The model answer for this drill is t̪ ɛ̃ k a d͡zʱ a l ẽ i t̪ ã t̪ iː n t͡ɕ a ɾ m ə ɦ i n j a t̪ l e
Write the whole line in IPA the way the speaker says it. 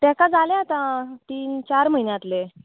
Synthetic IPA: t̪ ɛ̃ k a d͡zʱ a l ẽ a t̪ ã t̪ iː n t͡ɕ a ɾ m ə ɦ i n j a t̪ l e